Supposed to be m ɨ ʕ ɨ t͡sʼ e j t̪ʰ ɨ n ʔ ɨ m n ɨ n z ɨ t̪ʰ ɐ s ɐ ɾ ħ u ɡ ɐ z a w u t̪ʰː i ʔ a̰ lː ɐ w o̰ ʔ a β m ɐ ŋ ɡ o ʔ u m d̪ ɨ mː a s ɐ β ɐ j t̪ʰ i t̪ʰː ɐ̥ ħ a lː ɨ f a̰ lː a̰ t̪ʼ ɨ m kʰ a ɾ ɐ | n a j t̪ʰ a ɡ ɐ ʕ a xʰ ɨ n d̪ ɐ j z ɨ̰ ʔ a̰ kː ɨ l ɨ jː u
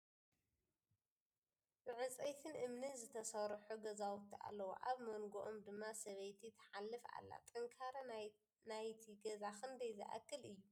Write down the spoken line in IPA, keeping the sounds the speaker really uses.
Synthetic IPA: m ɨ ʕ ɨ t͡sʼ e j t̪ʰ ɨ n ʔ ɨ m n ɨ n z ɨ t̪ʰ ɐ s ɐ ɾ ħ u ɡ ɐ z a w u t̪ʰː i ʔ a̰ lː ɐ w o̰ ʔ a β m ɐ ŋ ɡ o ʔ o m d̪ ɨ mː a s ɐ β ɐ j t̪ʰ i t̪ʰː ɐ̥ ħ a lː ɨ f a̰ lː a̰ t̪ʼ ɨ ŋ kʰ a ɾ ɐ | n a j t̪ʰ i ɡ ɐ z a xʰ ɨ n d̪ ɐ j z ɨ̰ ʔ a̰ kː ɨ l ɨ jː u